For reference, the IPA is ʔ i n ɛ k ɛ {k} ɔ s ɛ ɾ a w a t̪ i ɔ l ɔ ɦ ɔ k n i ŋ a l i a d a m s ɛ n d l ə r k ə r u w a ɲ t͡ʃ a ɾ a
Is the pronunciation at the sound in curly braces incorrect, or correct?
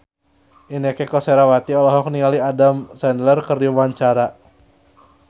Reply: correct